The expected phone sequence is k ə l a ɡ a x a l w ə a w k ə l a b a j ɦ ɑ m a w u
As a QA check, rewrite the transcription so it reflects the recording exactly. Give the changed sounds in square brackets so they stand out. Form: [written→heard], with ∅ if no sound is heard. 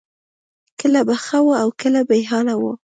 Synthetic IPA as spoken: k ə l a [ɡ→b] a x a [l→∅] w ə a w k ə l a b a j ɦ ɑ [m→n] a w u